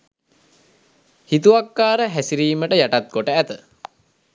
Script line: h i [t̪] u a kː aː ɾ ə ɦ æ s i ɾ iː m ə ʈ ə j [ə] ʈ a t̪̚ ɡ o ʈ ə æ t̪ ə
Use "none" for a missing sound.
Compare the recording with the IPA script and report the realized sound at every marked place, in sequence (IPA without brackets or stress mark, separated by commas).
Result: t̪, a